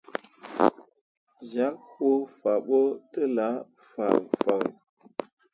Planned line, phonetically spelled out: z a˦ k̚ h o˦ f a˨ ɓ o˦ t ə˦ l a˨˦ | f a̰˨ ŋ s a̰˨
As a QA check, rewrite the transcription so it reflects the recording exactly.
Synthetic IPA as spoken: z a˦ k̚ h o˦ f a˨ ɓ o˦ t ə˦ l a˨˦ | f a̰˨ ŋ f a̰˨